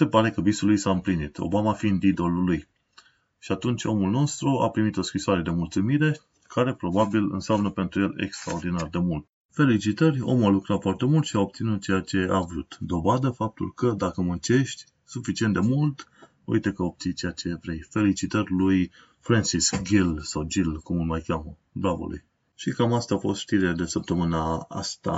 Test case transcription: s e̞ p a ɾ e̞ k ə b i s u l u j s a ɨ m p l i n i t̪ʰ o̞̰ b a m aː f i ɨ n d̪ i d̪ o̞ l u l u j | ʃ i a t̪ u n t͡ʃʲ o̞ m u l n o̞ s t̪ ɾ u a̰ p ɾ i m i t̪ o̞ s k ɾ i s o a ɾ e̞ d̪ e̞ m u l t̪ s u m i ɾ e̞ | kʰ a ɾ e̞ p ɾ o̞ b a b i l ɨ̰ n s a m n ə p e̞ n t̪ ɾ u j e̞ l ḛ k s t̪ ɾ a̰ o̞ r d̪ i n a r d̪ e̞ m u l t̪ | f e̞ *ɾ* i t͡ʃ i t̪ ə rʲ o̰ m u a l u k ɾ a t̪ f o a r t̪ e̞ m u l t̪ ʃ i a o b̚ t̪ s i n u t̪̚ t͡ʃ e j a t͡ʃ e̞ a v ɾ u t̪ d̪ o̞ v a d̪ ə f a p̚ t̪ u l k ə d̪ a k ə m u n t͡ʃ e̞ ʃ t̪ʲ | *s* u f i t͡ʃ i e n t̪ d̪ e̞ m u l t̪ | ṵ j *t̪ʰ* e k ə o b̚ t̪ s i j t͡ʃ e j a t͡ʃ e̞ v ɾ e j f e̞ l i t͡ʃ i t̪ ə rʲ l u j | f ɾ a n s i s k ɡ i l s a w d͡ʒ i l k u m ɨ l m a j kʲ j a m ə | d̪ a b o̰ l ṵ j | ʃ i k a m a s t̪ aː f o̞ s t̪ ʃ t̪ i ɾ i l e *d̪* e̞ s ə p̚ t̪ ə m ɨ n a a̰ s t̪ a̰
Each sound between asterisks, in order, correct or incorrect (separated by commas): incorrect, correct, incorrect, correct